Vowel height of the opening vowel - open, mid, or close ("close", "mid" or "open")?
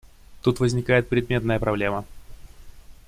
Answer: close